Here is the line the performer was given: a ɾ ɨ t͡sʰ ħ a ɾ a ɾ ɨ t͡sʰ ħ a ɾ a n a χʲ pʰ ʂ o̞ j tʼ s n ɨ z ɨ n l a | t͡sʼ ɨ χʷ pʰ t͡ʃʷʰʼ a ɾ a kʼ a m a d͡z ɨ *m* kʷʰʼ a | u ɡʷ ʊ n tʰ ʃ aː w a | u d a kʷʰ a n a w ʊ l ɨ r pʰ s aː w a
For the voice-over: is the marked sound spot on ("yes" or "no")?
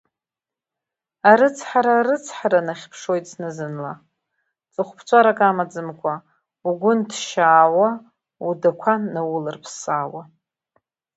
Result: yes